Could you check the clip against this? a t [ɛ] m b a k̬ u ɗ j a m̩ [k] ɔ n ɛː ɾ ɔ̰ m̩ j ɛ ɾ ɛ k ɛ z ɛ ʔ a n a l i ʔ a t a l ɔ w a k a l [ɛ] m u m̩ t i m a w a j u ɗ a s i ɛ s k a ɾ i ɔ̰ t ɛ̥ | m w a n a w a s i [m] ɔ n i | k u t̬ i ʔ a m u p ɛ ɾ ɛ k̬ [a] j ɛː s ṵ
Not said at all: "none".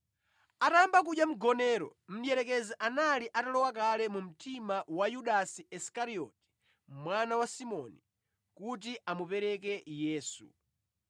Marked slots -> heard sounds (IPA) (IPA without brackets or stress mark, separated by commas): a, ɡ, ɛ, m, ɛ